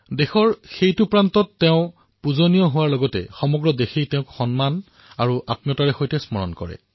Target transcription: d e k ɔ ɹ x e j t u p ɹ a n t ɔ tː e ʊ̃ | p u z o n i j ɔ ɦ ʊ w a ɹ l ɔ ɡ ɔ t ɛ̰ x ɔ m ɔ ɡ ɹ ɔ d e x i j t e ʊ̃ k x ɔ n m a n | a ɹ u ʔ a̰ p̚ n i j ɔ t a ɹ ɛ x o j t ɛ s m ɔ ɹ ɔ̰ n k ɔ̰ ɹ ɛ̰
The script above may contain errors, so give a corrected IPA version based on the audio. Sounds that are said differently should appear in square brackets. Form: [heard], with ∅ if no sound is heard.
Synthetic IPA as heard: d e [x] ɔ ɹ x e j t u p ɹ a n t ɔ tː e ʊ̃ | p u z o n i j ɔ ɦ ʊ w a ɹ l ɔ ɡ ɔ t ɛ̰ x ɔ m ɔ ɡ ɹ ɔ d e x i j t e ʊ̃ k x ɔ n m a n | a ɹ u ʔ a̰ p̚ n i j ɔ t a ɹ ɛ x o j t ɛ s m ɔ ɹ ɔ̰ n k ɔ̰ ɹ ɛ̰